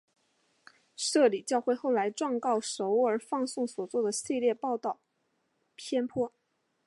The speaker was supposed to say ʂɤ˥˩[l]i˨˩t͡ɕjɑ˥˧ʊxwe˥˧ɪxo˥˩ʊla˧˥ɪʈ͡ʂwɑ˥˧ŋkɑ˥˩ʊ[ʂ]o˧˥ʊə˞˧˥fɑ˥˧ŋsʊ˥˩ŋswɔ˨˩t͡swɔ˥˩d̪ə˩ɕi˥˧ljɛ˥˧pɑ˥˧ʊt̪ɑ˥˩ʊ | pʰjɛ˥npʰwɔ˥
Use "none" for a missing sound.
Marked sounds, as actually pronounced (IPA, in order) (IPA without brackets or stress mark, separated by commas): l, ʂ